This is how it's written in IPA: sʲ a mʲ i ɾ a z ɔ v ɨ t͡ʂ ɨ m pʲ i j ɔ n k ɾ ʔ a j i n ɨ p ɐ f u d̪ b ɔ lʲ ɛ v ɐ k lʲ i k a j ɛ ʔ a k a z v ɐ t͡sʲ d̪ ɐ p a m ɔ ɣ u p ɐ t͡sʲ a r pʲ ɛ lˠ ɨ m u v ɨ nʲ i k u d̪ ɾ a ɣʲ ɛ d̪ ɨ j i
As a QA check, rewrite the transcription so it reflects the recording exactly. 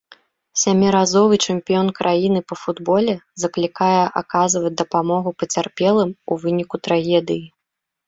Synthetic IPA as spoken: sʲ a mʲ i ɾ a z ɔ v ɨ t͡ʂ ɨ m pʲ i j ɔ n k ɾ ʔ a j i n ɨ p ɐ f u d̪ b ɔ lʲ ɛ z ɐ k lʲ i k a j ɛ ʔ a k a z v ɐ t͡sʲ d̪ ɐ p a m ɔ ɣ u p ɐ t͡sʲ a r pʲ ɛ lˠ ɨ m u v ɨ nʲ i k u t̪ ɾ a ɣʲ ɛ d̪ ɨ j i

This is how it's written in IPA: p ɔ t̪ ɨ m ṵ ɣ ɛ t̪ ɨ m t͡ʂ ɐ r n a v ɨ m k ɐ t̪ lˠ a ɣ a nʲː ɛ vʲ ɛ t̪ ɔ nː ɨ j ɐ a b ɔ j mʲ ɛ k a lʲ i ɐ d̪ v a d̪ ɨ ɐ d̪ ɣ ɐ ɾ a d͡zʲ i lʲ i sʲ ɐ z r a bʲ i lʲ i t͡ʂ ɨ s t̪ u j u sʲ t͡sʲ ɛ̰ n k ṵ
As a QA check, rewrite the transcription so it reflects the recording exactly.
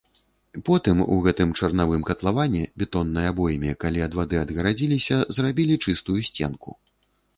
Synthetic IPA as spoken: p ɔ t̪ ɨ m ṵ ɣ ɛ t̪ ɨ m t͡ʂ ɐ r n a v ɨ m k ɐ t̪ lˠ a v a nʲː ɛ bʲ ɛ t̪ ɔ nː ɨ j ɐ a b ɔ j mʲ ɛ k a lʲ i ɐ d̪ v a d̪ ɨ ɐ d̪ ɣ ɐ ɾ a d͡zʲ i lʲ i sʲ ɐ z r a bʲ i lʲ i t͡ʂ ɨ s t̪ u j u sʲ t͡sʲ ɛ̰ n k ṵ

